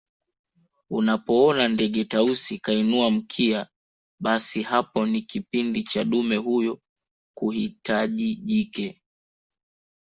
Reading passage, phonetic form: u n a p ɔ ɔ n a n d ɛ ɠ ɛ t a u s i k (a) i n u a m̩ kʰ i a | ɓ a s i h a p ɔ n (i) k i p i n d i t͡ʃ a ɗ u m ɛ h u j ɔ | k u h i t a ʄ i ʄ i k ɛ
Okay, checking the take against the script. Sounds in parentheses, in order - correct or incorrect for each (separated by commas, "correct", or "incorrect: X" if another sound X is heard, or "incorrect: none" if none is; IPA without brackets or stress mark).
correct, correct